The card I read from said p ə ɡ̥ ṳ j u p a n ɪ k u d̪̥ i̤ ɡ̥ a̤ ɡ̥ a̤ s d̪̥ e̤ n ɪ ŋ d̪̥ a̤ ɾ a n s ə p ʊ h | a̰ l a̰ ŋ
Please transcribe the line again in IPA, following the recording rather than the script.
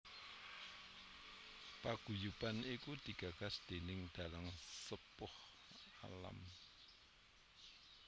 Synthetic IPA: p a ɡ̥ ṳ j u p a n i k u d̪̥ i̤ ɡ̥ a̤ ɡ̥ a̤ s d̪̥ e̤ n ɪ ŋ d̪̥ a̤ l a ŋ s ə p ʊ h | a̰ l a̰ m